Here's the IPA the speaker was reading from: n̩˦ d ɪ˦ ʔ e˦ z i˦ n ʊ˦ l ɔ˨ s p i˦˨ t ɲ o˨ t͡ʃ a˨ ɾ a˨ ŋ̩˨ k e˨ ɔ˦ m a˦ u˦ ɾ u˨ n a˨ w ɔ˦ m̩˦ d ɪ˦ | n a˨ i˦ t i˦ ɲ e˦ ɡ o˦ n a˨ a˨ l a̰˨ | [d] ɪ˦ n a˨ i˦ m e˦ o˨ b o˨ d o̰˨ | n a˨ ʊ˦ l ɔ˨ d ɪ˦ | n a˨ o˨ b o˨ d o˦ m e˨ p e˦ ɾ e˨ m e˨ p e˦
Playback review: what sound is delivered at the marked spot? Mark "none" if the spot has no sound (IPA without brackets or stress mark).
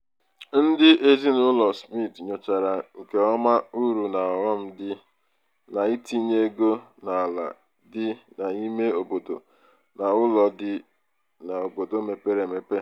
d